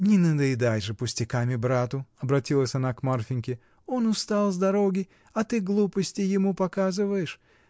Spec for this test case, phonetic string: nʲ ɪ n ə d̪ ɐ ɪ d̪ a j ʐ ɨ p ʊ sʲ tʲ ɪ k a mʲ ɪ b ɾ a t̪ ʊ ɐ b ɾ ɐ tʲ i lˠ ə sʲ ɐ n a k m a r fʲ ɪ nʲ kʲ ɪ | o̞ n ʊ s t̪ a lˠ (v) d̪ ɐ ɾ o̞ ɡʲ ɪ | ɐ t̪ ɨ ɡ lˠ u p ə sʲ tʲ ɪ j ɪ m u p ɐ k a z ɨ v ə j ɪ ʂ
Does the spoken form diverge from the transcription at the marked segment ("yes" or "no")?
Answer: yes